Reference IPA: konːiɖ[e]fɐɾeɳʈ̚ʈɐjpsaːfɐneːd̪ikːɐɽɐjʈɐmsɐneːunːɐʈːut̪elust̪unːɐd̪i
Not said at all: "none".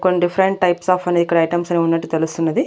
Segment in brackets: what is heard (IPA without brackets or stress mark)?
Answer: i